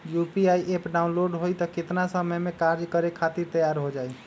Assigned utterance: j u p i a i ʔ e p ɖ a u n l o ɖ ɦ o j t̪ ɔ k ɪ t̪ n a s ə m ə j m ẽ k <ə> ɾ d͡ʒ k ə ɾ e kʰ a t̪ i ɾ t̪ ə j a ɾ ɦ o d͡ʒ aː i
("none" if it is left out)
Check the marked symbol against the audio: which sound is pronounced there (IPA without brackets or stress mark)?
a